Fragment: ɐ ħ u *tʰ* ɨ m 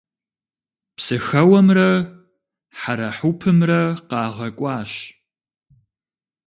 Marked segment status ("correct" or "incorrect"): incorrect